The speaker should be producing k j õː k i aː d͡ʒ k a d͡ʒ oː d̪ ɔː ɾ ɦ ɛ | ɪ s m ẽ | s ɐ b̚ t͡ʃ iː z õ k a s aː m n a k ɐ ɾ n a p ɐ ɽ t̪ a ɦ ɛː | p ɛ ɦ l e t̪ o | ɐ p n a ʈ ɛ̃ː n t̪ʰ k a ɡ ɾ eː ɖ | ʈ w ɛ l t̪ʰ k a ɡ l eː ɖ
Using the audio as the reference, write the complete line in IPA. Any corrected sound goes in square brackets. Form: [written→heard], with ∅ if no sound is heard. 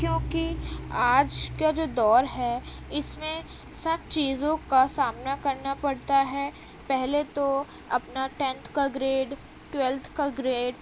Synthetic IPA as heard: k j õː k i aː d͡ʒ k a d͡ʒ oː d̪ ɔː ɾ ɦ ɛ | ɪ s m ẽ | s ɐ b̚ t͡ʃ iː z õ k a s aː m n a k ɐ ɾ n a p ɐ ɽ t̪ a ɦ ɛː | p ɛ ɦ l e t̪ o | ɐ p n a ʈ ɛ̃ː n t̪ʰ k a ɡ ɾ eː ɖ | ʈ w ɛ l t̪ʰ k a ɡ [l→ɾ] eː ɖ